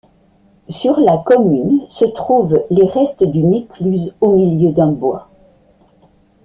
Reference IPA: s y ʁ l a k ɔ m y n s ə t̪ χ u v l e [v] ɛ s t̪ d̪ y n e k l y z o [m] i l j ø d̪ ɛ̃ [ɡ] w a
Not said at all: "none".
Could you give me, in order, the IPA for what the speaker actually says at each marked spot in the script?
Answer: ʁ, m, b

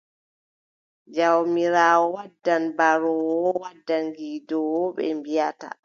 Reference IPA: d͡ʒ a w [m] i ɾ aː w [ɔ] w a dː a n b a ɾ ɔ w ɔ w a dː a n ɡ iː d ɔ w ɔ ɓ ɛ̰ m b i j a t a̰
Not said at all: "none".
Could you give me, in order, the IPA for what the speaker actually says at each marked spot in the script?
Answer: m, ɔ

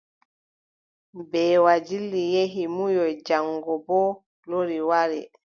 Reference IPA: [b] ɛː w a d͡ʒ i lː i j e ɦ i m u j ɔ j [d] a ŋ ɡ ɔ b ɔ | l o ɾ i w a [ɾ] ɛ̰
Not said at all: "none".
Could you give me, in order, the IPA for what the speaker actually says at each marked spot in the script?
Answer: b, d͡ʒ, ɾ

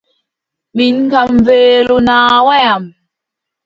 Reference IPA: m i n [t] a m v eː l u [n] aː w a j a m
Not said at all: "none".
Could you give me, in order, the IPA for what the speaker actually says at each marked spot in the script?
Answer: k, n

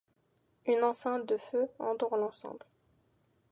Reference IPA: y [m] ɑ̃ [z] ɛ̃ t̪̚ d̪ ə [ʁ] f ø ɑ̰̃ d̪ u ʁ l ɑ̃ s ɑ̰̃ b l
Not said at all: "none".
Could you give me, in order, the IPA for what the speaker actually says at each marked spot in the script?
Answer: n, s, none

